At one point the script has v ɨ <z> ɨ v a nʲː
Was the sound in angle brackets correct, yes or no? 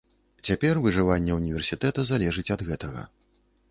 no